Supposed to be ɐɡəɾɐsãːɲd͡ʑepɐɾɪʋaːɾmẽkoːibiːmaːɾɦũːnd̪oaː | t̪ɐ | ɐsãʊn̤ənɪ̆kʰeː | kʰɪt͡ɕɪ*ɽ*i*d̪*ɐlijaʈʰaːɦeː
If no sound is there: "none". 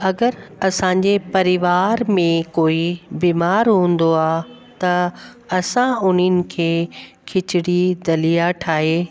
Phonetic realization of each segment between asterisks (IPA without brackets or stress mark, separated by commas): ɽ, d̪